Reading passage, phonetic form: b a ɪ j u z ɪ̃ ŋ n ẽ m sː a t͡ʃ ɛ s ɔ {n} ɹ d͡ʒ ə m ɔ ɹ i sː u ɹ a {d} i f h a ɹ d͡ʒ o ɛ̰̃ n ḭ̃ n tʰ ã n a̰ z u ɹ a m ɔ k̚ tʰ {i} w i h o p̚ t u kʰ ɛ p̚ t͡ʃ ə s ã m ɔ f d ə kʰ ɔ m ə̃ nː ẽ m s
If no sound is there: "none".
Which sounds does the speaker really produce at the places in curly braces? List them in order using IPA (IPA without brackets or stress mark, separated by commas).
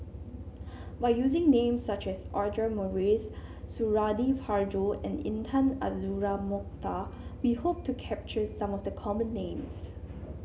none, d, a